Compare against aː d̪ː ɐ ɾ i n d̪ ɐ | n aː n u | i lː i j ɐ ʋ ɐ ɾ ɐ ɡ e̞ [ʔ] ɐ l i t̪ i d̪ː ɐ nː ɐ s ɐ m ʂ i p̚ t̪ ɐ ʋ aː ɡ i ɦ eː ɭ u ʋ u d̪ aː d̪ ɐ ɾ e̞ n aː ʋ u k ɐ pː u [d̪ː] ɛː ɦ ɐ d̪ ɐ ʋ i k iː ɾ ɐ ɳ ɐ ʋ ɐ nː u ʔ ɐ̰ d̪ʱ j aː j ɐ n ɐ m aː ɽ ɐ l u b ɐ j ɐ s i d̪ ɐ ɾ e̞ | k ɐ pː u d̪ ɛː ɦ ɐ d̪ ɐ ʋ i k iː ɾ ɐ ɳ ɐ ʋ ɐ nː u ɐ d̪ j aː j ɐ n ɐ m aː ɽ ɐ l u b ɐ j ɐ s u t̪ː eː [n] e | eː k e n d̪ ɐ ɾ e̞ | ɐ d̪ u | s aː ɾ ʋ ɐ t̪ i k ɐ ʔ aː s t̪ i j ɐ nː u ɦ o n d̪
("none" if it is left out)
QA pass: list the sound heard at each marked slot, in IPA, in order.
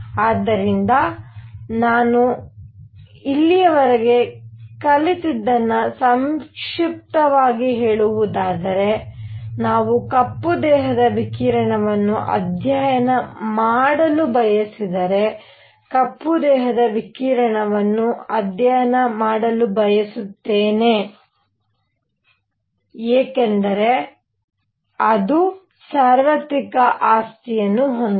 k, d̪, n

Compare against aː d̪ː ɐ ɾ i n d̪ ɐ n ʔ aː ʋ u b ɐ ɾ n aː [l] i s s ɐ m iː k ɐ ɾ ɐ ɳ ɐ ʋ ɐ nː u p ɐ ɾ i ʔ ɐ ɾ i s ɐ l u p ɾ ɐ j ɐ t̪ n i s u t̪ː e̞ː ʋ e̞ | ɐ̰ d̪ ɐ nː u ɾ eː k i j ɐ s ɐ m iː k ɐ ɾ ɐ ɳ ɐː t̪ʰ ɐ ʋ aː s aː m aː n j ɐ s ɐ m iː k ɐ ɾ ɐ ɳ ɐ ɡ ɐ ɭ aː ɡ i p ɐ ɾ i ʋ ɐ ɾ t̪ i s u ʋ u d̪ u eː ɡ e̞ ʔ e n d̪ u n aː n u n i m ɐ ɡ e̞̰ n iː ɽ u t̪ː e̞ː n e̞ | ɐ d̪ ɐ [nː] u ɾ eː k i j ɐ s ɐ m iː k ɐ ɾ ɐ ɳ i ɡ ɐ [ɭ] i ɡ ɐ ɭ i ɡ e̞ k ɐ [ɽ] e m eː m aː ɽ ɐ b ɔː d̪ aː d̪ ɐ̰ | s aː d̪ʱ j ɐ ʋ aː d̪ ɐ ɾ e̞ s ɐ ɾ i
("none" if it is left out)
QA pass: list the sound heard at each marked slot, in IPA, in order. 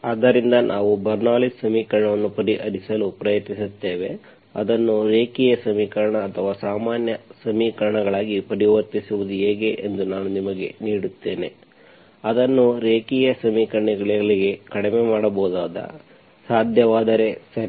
l, nː, ɭ, ɽ

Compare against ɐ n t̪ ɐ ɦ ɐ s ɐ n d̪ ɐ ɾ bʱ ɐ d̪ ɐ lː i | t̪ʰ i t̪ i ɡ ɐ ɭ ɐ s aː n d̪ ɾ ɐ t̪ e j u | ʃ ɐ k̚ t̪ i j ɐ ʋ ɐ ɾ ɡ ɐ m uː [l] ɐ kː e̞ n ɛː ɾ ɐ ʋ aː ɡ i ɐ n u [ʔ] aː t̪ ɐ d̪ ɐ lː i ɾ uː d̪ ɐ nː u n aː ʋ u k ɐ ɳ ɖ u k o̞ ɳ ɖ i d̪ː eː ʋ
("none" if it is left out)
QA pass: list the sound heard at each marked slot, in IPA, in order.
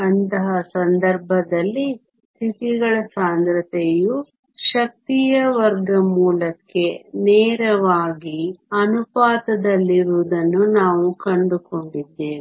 l, p

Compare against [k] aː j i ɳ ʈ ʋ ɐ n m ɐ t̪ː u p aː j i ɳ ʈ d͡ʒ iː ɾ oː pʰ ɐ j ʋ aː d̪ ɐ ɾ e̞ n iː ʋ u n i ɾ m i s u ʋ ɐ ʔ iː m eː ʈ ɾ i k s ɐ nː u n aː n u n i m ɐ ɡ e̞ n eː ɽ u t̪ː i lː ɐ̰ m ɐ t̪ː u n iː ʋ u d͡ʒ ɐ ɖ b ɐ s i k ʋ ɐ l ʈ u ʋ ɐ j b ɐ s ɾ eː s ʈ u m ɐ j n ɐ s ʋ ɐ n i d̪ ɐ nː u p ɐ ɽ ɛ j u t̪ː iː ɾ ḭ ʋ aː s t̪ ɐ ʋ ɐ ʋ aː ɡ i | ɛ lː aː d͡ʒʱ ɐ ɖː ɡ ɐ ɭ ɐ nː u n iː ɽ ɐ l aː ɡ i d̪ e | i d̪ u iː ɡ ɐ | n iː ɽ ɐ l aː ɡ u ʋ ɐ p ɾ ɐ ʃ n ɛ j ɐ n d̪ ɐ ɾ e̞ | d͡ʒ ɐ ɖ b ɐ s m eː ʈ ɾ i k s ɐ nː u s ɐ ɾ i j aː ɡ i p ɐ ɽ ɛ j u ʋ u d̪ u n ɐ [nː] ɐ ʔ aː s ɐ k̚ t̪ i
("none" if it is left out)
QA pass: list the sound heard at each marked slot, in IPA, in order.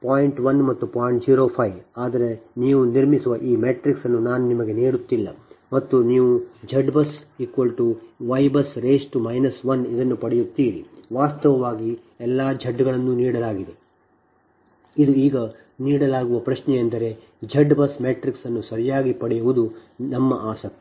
p, mː

